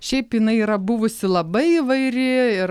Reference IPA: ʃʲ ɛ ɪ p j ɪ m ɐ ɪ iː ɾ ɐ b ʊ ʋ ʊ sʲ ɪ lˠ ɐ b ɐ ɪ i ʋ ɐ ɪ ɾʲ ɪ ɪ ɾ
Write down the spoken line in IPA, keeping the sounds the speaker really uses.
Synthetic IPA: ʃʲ ɛ ɪ p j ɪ n ɐ ɪ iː ɾ ɐ b ʊ ʋ ʊ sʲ ɪ lˠ ɐ b ɐ ɪ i ʋ ɐ ɪ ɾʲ ɪ ɪ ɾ

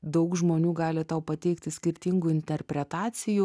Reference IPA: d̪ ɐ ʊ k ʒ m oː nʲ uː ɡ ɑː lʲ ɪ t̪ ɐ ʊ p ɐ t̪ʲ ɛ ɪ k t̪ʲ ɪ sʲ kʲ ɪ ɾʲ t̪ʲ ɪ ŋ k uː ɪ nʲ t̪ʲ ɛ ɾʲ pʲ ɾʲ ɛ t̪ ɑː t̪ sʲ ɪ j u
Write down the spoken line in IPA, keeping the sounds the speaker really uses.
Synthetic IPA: d̪ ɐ ʊ k ʒ m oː nʲ uː ɡ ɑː lʲ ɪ t̪ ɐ ʊ p ɐ t̪ʲ ɛ ɪ k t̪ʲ ɪ sʲ kʲ ɪ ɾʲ t̪ʲ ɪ ŋ ɡ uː ɪ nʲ t̪ʲ ɛ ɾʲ pʲ ɾʲ ɛ t̪ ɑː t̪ sʲ ɪ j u

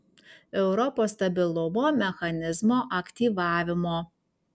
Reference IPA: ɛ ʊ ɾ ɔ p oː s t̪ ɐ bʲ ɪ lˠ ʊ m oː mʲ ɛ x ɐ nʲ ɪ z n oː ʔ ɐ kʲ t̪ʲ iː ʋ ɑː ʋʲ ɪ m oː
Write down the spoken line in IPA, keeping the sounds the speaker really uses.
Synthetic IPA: ɛ ʊ ɾ ɔ p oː s t̪ ɐ bʲ ɪ lˠ ʊ m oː mʲ ɛ x ɐ nʲ ɪ z m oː ʔ ɐ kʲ t̪ʲ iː ʋ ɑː ʋʲ ɪ m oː

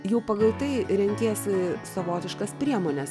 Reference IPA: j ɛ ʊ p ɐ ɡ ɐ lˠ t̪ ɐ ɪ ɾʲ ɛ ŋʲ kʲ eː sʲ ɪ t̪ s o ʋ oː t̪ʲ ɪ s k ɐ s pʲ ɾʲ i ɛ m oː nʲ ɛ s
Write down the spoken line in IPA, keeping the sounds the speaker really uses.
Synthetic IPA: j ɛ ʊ p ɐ ɡ ɐ lˠ t̪ ɐ ɪ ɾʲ ɛ ŋʲ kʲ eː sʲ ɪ s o ʋ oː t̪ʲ ɪ ʃ k ɐ s pʲ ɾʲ i ɛ m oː nʲ ɛ s

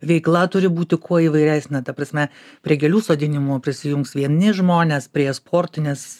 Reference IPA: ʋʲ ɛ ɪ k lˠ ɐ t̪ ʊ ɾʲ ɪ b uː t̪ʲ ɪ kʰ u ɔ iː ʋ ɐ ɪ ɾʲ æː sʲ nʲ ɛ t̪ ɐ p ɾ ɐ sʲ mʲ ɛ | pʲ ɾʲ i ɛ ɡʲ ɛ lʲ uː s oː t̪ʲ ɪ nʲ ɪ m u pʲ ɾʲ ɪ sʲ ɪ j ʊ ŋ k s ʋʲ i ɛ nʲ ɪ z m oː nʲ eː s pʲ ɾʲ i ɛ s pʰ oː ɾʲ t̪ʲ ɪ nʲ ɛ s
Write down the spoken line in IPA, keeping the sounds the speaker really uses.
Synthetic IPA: ʋʲ ɛ ɪ k lˠ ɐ t̪ ʊ ɾʲ ɪ b uː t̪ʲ ɪ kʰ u ɔ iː ʋ ɐ ɪ ɾʲ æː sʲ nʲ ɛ t̪ ɐ p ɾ ɐ sʲ mʲ ɛ | pʲ ɾʲ i ɛ ɡʲ ɛ lʲ uː s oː d̪ʲ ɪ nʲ ɪ m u pʲ ɾʲ ɪ sʲ ɪ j ʊ ŋ k s ʋʲ i ɛ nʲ ɪ ʒ m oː nʲ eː s pʲ ɾʲ i ɛ s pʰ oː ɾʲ t̪ʲ ɪ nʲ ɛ s

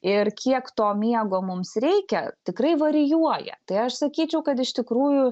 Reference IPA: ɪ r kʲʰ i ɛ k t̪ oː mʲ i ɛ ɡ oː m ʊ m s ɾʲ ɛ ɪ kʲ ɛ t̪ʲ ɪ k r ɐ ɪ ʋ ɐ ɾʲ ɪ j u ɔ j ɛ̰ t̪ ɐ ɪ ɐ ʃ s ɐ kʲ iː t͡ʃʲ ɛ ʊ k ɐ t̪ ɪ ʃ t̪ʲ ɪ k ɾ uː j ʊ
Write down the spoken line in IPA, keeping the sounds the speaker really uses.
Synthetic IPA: ɪ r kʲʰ i ɛ k t̪ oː mʲ i ɛ ɡ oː m ʊ m s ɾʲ ɛ ɪ kʲ ɛ t̪ʲ ɪ k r ɐ ɪ ʋ ɐ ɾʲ ɪ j u ɔ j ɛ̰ t̪ ɐ ɪ ɐ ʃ s ɐ kʲ iː t͡ʃʲ ɛ ʊ k ɐ t̪ ɪ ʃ t̪ʲ ɪ k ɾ uː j ʊ

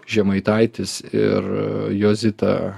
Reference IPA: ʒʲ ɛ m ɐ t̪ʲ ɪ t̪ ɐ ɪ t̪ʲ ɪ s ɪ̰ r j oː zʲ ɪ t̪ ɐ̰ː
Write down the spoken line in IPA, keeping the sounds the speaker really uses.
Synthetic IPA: ʒʲ ɛ m ɐ ɪ t̪ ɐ ɪ t̪ʲ ɪ s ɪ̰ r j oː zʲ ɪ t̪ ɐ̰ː

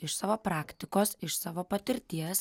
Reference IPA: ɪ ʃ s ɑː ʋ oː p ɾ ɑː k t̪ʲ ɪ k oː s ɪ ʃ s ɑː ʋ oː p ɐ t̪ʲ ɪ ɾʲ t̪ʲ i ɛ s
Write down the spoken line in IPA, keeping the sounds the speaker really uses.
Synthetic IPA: ɪ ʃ s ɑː ʋ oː p ɾ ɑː k t̪ʲ ɪ k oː s ɪ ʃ s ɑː ʋ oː p ɐ t̪ʲ ɪ ɾʲ t̪ʲ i ɛ s

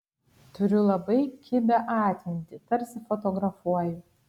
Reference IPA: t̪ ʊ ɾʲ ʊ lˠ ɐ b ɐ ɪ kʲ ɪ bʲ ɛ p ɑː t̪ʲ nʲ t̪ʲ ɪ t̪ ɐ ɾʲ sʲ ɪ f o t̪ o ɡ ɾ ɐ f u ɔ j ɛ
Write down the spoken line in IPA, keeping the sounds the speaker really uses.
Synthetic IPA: t̪ ʊ ɾʲ ʊ lˠ ɐ b ɐ ɪ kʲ ɪ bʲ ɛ ʔ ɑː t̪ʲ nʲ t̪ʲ ɪ t̪ ɐ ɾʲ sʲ ɪ f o t̪ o ɡ ɾ ɐ f u ɔ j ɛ

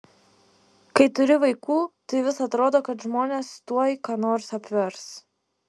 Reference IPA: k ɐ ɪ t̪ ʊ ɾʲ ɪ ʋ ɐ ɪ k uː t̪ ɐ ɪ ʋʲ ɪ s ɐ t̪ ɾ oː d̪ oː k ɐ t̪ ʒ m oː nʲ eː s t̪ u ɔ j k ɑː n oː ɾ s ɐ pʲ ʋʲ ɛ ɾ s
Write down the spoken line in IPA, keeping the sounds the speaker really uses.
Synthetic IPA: k ɐ ɪ t̪ ʊ ɾʲ ɪ ʋ ɐ ɪ k uː t̪ ɐ ɪ ʋʲ ɪ s ɐ t̪ ɾ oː d̪ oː k ɐ t̪ ʒ m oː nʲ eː s t̪ u ɔ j k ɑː n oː ɾ s ɐ pʲ ʋʲ ɛ ɾ s

